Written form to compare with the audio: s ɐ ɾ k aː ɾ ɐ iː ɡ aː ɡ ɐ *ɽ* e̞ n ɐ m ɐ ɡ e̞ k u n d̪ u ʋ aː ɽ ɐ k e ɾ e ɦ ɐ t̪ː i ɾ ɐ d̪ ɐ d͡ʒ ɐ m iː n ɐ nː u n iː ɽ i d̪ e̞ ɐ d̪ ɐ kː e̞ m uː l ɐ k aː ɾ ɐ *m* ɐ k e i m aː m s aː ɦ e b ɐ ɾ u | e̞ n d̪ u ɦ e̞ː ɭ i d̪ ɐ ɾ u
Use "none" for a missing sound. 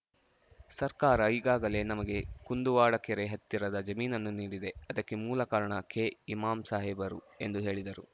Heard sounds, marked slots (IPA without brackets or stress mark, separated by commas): l, ɳ